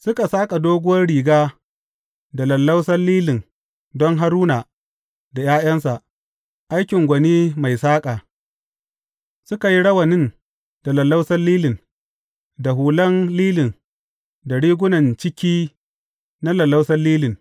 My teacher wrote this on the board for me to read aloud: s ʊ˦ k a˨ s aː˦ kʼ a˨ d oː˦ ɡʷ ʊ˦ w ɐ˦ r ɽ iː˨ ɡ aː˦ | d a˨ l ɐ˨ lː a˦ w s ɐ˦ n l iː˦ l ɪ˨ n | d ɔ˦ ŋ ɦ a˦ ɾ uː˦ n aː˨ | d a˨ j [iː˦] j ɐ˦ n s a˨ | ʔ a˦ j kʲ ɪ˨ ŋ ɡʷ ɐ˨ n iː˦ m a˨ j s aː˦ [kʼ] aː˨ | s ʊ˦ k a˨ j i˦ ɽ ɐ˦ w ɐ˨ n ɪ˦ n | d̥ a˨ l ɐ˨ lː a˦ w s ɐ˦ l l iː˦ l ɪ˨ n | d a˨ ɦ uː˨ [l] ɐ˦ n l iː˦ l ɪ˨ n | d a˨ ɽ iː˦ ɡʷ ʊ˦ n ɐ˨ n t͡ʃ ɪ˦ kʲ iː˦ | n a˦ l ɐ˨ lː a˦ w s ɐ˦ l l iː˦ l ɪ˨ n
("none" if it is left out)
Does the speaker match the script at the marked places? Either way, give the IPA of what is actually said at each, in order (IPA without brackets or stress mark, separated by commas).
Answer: aː˦, kʼ, l